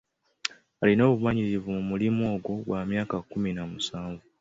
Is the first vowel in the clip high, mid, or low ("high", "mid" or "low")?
low